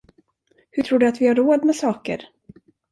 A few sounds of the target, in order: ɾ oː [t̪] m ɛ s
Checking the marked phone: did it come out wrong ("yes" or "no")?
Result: yes